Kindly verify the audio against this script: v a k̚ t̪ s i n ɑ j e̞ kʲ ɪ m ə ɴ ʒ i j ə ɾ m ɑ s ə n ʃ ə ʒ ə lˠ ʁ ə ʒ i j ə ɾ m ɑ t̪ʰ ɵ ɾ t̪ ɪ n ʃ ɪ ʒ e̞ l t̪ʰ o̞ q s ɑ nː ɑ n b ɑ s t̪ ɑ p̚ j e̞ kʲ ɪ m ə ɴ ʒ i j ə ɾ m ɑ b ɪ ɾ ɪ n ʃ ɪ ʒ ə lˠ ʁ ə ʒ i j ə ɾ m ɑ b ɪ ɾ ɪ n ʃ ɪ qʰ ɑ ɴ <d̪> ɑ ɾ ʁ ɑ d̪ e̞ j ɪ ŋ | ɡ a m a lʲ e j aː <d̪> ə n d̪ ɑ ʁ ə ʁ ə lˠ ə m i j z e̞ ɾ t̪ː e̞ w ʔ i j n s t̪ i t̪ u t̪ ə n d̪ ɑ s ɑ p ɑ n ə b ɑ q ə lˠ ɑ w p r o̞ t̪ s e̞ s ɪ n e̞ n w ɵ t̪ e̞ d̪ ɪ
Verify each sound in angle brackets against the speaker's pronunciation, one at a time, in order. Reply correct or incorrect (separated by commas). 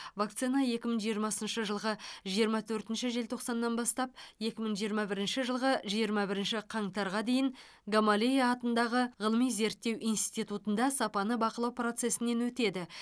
incorrect, incorrect